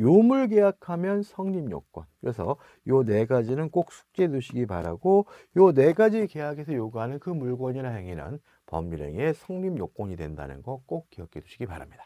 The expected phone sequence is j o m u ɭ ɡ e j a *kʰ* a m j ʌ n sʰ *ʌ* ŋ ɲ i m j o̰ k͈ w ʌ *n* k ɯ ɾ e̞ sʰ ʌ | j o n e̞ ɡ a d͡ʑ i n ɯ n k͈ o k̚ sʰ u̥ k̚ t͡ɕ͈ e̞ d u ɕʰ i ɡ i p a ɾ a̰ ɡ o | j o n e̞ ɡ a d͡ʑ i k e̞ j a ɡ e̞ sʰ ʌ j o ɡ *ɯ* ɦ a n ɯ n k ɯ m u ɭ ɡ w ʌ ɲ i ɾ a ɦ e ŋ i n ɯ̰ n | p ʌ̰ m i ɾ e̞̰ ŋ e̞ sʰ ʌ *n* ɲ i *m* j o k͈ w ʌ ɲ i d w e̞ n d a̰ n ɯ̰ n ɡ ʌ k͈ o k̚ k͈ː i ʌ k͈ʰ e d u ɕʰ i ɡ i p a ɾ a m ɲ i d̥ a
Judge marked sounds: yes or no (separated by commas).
yes, yes, yes, no, no, yes